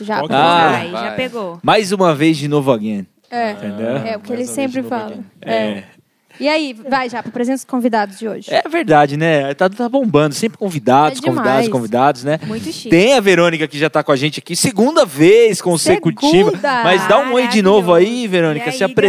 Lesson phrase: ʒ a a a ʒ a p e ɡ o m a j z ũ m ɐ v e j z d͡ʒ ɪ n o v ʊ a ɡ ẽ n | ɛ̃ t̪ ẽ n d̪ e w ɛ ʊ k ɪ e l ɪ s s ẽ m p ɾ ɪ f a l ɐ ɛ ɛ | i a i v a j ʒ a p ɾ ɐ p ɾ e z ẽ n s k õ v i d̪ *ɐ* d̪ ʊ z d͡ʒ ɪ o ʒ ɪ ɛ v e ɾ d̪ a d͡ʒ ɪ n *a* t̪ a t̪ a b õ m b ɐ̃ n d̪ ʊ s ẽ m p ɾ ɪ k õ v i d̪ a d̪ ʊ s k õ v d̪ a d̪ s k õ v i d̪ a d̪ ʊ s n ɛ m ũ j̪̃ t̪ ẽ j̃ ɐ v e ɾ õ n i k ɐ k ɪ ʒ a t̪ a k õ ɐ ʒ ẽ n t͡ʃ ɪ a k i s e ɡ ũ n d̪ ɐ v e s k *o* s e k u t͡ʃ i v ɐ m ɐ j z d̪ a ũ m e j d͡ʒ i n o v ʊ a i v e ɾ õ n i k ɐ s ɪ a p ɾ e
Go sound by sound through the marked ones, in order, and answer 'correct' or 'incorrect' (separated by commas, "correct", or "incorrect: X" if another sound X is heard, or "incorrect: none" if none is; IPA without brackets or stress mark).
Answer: incorrect: a, incorrect: ɛ, incorrect: õ